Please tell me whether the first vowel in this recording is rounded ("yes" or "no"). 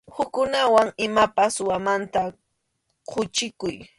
yes